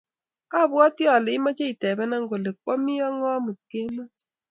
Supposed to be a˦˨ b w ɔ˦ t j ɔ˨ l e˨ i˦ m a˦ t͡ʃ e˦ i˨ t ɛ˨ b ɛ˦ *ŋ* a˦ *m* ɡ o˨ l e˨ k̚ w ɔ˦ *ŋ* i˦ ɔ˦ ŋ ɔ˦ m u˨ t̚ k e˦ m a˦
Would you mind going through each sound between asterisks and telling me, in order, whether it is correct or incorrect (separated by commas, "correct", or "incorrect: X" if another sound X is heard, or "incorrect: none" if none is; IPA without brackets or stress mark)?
incorrect: n, incorrect: ŋ, incorrect: m